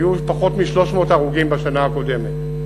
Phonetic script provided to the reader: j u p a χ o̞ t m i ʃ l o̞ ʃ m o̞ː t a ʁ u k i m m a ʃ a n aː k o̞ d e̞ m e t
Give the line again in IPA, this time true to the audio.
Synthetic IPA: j u p a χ o̞ t m i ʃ l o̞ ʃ m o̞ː t a ʁ u ɡ i m b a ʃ a n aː k o̞ d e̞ m e t